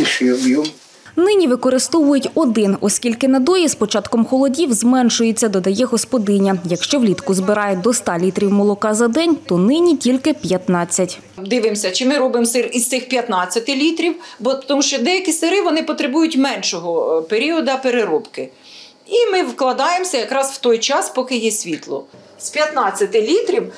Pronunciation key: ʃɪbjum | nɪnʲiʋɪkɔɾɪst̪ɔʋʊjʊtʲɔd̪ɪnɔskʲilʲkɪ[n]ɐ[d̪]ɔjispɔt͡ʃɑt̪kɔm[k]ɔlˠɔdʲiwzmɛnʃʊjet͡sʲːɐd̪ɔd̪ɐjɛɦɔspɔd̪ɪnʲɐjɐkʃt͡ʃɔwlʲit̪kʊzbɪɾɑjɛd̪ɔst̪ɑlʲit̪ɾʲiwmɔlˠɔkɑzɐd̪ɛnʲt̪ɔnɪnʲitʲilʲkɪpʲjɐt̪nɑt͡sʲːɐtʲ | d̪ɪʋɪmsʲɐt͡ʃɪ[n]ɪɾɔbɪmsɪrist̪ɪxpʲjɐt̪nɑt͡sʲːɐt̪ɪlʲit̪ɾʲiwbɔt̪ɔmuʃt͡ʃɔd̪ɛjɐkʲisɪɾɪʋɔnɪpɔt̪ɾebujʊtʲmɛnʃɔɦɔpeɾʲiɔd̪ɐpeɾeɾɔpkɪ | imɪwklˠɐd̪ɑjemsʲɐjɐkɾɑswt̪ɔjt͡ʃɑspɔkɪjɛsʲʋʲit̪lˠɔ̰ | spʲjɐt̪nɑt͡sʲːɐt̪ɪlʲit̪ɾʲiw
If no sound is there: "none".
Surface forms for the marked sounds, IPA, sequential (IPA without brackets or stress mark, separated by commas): n, d̪, x, m